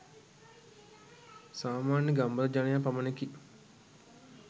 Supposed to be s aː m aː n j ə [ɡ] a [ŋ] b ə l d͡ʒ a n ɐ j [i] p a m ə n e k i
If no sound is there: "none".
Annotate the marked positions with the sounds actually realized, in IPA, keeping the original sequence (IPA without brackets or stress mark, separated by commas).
ɡ, m, a